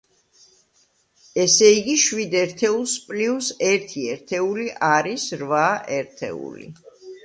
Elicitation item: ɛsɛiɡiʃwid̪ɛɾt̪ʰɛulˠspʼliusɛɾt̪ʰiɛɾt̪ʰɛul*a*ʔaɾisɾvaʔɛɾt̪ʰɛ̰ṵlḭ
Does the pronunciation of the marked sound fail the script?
yes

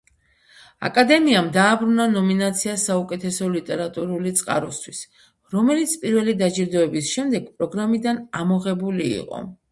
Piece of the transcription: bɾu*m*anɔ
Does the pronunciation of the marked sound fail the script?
yes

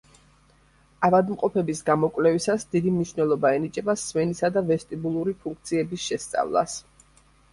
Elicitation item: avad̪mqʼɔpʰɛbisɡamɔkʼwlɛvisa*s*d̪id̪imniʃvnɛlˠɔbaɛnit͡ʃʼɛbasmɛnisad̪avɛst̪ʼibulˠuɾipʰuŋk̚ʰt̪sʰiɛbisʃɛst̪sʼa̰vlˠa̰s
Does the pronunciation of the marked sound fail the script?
no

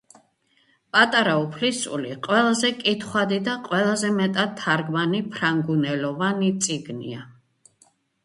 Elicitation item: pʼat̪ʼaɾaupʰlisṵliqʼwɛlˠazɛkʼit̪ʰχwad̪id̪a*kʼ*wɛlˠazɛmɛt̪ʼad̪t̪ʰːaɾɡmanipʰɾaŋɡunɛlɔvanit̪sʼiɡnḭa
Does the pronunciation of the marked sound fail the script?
yes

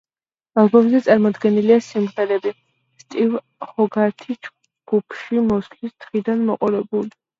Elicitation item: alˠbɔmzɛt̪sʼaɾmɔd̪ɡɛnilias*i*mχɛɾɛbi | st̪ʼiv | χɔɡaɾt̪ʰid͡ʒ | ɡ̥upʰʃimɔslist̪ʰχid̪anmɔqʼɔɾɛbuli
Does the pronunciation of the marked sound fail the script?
no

